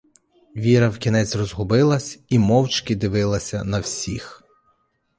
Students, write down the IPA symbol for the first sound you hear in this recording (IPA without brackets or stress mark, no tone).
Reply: ʋʲ